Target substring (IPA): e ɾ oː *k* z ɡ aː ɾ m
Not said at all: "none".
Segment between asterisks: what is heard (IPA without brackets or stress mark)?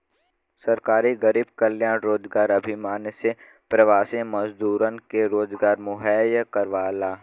none